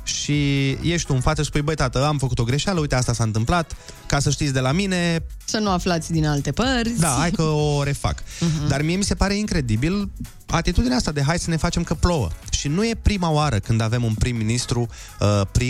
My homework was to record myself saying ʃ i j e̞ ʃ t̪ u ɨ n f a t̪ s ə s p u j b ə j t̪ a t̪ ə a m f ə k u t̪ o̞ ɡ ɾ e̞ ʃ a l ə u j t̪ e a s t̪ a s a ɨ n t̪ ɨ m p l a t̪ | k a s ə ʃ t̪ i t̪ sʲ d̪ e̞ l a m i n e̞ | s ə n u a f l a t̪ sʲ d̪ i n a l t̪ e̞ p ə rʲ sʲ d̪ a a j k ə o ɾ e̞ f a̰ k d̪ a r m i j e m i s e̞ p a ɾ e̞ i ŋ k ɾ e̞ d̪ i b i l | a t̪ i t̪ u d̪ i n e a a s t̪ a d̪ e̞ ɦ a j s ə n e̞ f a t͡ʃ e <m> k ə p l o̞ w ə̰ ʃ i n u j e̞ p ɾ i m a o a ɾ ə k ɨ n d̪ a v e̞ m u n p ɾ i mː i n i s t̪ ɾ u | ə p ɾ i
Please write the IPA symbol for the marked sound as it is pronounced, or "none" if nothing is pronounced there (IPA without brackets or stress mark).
m